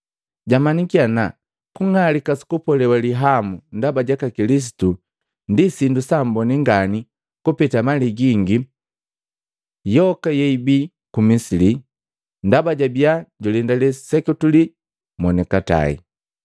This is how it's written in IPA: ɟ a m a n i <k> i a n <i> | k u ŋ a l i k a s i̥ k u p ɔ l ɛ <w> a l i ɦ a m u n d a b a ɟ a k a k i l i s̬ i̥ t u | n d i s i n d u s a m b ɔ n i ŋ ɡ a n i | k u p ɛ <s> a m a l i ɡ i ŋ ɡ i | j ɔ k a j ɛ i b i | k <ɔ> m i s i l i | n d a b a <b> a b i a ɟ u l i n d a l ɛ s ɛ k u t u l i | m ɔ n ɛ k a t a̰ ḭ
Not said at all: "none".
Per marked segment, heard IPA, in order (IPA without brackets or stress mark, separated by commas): k, a, w, t, u, ɟ